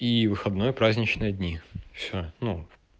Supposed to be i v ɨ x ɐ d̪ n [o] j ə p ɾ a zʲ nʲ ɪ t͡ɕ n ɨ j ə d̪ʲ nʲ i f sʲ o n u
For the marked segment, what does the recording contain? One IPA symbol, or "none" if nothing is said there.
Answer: o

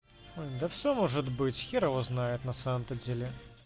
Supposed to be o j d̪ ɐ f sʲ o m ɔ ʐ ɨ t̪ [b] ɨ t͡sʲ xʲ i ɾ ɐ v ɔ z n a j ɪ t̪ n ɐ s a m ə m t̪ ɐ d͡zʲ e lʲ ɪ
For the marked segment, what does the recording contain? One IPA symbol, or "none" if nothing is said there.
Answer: b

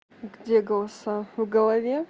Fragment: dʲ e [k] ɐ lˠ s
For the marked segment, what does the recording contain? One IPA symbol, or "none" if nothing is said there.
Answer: ɡ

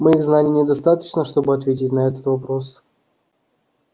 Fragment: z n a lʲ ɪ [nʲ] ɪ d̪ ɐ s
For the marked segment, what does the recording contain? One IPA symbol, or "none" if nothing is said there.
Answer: nʲ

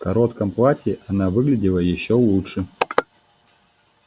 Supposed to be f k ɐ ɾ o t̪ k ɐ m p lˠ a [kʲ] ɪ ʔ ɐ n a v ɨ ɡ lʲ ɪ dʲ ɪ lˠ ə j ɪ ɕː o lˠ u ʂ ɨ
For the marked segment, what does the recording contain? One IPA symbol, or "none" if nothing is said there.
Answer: tʲ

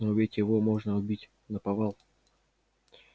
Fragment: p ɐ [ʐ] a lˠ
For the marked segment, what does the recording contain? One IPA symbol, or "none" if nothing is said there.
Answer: v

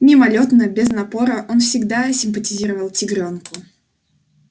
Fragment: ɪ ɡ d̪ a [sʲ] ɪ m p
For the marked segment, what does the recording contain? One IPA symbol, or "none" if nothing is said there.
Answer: sʲ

